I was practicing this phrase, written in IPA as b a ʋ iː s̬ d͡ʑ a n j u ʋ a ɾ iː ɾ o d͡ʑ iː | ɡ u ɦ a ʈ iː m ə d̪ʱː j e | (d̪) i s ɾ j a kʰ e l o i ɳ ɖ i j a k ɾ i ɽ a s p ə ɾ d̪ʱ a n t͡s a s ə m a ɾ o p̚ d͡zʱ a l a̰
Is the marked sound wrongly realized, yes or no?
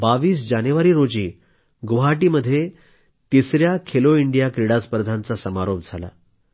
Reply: yes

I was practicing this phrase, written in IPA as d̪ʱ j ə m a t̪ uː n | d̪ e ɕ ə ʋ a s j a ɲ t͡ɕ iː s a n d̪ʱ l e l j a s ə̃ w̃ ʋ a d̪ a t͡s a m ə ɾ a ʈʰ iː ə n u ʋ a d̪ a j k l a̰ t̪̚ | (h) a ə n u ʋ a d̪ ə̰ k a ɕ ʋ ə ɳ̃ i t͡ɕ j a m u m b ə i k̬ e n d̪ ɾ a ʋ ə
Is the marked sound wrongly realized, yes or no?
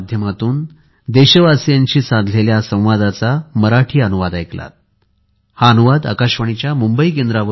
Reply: no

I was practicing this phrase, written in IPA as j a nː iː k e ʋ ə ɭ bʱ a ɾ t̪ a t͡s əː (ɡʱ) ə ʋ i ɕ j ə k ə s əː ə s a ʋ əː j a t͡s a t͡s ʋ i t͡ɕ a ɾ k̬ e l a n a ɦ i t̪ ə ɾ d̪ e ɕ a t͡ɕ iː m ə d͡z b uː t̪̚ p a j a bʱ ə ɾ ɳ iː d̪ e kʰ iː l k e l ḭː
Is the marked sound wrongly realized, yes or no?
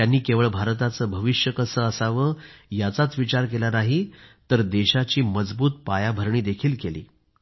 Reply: yes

